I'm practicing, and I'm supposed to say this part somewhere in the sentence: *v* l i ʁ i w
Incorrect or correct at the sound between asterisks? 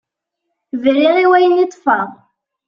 correct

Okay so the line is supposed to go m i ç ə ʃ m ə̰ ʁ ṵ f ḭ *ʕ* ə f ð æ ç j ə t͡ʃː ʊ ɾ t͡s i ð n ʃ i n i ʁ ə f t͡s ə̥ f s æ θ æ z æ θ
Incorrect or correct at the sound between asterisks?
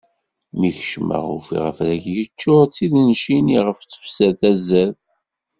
incorrect: ʁ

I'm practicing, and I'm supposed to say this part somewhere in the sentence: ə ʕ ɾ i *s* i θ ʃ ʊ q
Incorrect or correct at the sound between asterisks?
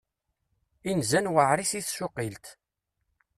correct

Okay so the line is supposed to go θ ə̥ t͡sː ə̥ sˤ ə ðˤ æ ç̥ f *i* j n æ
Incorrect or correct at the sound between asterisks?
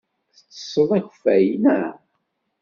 incorrect: æ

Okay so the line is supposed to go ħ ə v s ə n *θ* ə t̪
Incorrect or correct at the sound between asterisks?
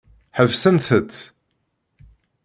correct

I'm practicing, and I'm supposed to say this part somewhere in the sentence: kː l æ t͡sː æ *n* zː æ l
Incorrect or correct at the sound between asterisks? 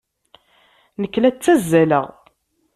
incorrect: none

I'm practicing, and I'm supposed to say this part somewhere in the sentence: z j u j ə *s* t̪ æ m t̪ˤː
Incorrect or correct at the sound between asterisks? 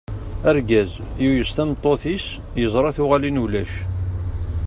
correct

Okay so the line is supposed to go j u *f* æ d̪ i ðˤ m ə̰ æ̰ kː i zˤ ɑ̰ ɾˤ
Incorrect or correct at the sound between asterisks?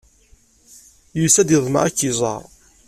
incorrect: s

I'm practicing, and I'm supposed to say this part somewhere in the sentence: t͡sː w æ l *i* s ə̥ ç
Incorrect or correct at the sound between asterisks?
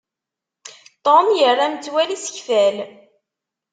correct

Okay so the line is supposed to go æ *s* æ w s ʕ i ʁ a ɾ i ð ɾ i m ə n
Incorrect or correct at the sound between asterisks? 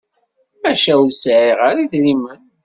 incorrect: ʃ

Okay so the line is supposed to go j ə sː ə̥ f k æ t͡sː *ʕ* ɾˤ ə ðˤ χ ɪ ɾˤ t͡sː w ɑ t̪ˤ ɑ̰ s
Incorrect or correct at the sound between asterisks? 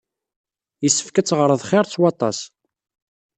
incorrect: ʁ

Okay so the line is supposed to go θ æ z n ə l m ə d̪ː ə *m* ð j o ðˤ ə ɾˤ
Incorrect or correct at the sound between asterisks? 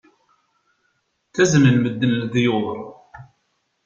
incorrect: n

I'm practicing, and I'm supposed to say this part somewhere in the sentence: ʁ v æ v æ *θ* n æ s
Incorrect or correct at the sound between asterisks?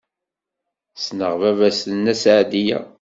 incorrect: s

